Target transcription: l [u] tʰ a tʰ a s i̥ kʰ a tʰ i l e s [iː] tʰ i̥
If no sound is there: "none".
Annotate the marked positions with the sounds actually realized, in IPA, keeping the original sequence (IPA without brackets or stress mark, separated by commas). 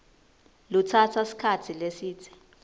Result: u, iː